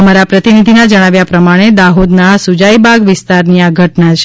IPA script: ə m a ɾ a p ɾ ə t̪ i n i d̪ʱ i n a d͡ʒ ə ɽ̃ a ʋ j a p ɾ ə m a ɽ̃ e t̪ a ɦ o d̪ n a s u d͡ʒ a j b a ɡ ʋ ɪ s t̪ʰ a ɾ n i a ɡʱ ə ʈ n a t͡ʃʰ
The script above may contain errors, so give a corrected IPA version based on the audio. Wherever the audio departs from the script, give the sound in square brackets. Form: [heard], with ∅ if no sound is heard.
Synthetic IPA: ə m a ɾ a p ɾ ə t̪ i n i d̪ʱ i n a d͡ʒ ə ɽ̃ a ʋ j a p ɾ ə m a ɽ̃ e [d̪] a ɦ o d̪ n a s u d͡ʒ a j b a ɡ ʋ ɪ s [t̪] a ɾ n i a ɡʱ ə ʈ n a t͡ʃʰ